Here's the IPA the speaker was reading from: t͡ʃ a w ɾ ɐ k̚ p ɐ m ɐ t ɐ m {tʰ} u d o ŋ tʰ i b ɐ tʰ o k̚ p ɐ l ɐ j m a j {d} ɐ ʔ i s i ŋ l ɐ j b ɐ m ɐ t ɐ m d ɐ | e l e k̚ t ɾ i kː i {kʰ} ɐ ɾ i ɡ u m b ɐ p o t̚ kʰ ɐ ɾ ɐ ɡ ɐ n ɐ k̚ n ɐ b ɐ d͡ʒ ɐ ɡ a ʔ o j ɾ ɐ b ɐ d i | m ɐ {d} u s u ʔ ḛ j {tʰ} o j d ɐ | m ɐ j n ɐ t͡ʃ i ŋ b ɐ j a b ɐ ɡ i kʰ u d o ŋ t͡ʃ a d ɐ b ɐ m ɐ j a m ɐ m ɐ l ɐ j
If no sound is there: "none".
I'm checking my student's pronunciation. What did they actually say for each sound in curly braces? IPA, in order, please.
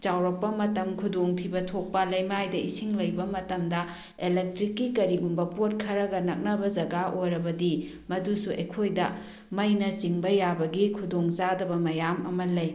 kʰ, d, k, d, kʰ

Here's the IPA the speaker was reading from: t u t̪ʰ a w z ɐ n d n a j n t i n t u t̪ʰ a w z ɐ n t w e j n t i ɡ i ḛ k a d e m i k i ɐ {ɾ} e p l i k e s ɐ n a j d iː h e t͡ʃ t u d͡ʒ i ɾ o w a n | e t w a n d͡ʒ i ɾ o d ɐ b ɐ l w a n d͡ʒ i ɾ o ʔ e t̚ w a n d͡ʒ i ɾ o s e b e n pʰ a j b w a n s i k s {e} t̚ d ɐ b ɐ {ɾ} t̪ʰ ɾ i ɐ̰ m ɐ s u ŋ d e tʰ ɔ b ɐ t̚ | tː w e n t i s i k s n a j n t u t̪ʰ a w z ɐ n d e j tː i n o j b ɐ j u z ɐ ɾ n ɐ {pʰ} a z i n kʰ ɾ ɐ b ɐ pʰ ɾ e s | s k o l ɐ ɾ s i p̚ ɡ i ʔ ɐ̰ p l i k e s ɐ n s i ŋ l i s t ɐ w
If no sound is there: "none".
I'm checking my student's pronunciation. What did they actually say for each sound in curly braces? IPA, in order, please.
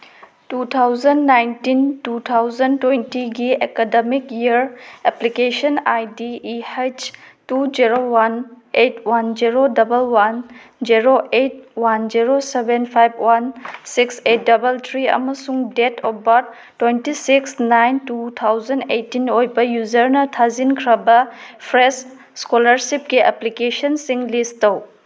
ɾ, e, l, tʰ

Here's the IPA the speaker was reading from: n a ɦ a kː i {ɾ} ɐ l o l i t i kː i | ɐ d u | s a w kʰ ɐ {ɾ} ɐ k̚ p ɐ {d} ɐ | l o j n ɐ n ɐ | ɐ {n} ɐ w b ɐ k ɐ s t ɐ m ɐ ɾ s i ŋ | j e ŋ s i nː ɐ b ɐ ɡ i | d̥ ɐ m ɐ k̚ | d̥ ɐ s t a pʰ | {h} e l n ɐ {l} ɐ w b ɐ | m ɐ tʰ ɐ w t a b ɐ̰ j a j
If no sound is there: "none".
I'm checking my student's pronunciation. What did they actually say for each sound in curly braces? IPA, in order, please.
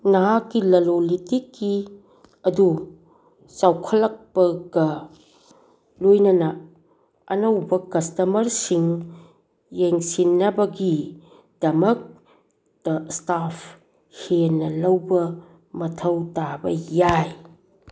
l, l, ɡ, n, h, l

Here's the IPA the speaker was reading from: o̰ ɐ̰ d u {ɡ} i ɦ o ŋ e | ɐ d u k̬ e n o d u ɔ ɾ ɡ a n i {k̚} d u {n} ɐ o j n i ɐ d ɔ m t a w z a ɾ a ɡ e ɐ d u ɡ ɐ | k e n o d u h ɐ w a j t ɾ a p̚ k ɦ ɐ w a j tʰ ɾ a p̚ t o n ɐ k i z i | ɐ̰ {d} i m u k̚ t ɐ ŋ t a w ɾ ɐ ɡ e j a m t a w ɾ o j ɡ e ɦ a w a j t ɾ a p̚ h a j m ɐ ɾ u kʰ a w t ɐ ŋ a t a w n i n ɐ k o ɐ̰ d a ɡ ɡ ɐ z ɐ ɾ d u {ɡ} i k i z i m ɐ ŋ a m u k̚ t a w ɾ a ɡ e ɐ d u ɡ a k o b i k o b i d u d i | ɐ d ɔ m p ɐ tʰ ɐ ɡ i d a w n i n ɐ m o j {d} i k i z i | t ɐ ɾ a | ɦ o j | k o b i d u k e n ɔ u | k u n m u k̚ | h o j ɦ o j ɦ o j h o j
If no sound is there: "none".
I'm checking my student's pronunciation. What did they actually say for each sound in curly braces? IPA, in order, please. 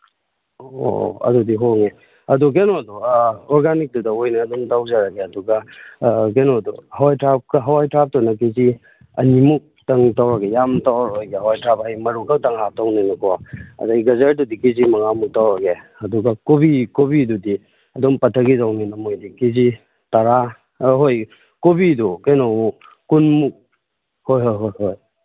d, k̚, d, n, d, d

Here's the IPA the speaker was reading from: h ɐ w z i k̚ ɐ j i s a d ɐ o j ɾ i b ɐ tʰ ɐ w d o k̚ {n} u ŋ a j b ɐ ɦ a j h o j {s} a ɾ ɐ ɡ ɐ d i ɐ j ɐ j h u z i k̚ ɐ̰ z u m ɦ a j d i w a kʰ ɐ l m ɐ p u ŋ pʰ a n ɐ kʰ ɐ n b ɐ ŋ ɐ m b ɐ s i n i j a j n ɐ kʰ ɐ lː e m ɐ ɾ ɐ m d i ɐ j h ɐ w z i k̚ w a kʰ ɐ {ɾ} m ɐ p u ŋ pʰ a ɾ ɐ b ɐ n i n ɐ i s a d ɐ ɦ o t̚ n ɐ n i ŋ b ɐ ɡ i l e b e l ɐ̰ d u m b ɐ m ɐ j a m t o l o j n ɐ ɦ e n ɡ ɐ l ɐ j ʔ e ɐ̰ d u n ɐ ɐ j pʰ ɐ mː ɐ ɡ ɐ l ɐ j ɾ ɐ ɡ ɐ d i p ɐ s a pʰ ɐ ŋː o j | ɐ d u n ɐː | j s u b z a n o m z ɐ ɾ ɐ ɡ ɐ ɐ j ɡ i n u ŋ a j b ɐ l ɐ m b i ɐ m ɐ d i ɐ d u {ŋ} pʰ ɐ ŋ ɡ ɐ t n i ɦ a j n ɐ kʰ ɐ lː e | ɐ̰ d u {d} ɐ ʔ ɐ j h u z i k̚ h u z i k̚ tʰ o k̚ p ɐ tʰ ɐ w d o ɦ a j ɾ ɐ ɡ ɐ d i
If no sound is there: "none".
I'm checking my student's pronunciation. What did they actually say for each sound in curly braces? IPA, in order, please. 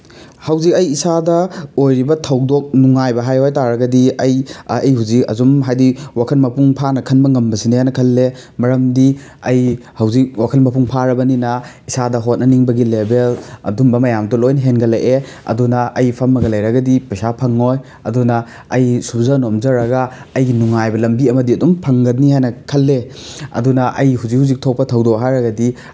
n, t, l, m, n

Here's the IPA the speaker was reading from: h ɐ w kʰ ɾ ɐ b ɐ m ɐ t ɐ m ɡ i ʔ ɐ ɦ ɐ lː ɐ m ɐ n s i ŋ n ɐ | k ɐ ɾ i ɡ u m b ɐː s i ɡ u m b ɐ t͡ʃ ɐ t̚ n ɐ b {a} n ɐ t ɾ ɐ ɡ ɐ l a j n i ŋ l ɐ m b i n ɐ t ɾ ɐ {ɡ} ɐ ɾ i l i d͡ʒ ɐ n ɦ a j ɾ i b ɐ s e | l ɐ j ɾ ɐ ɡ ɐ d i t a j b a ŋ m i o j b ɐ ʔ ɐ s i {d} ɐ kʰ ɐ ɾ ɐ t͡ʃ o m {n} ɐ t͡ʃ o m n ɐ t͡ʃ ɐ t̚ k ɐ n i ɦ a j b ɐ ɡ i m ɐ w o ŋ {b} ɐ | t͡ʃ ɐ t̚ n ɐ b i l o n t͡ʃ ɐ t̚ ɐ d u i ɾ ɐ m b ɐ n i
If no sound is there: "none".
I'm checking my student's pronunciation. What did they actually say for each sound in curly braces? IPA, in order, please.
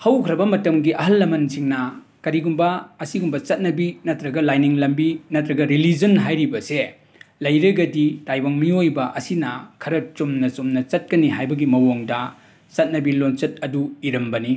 i, ɡ, n, n, d

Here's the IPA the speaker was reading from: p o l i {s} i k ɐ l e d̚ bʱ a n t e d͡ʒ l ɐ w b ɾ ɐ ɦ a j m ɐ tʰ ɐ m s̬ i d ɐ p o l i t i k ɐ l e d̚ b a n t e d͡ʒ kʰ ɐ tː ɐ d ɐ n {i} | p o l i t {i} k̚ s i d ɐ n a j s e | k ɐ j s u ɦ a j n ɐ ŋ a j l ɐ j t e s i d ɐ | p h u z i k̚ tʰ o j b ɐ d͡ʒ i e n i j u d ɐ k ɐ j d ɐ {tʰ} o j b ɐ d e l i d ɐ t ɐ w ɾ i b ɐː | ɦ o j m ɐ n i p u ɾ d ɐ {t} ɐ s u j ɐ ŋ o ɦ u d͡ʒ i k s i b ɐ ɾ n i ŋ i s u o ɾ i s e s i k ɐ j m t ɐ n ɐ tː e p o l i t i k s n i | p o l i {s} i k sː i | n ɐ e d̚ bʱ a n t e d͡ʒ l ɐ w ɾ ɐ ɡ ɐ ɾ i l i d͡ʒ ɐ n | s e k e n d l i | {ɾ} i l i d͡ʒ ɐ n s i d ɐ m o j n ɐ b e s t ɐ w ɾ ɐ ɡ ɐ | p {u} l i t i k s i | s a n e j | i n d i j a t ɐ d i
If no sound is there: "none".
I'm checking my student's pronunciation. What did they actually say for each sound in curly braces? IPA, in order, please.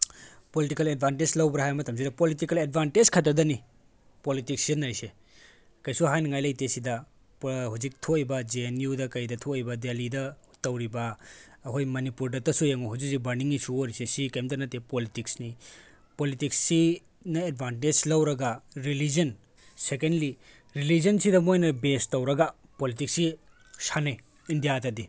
t, i, i, tʰ, t, t, ɾ, o

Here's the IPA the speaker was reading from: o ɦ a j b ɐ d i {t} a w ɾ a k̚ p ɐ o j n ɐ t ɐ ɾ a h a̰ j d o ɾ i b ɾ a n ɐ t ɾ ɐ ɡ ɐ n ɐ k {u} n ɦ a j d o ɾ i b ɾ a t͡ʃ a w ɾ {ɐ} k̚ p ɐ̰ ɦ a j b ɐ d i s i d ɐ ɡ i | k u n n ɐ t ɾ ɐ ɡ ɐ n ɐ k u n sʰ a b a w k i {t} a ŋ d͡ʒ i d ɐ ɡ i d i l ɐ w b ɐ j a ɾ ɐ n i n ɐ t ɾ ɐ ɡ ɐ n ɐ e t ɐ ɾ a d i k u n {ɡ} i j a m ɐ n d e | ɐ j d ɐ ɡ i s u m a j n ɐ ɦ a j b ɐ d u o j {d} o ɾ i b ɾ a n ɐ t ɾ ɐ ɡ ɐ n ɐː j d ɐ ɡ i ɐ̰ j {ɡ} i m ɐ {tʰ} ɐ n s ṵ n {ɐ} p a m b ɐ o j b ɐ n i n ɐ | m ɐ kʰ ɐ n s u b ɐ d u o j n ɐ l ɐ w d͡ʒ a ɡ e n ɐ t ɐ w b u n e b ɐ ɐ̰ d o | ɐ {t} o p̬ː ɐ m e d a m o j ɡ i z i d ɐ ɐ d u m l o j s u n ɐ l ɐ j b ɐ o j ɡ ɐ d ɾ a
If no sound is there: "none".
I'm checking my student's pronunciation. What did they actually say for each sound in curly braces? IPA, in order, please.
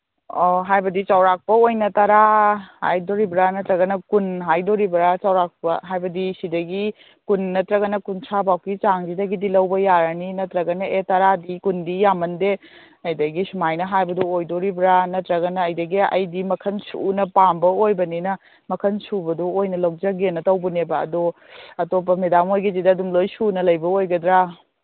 t͡ʃ, u, a, t͡ʃ, d, d, d, kʰ, ɐ, t

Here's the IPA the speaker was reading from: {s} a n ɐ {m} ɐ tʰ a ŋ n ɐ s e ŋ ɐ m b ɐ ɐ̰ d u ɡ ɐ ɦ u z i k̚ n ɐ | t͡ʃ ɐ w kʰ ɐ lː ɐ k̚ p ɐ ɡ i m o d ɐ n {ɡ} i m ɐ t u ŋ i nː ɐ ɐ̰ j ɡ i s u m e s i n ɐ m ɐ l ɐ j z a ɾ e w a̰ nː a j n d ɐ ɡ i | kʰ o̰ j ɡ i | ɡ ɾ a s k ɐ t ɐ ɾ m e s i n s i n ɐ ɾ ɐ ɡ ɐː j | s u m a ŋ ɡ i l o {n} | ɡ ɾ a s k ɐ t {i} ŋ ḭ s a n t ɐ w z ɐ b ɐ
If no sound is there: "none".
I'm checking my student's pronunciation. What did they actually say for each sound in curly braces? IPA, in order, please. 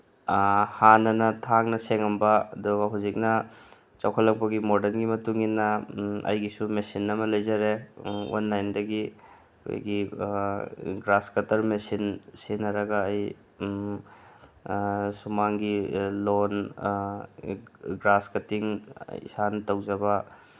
h, n, ɡ, n, i

